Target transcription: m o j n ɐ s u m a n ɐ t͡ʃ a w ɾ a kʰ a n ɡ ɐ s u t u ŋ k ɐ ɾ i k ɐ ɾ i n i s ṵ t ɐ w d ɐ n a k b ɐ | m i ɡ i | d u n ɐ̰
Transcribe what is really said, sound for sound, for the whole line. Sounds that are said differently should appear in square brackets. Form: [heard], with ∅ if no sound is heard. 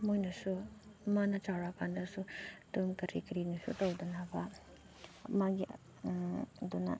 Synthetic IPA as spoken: m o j n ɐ s u m a n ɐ t͡ʃ a w ɾ a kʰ a n [d] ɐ s u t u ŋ k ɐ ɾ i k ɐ ɾ i n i s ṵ t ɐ w d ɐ n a [∅] b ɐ | m [a] ɡ i | d u n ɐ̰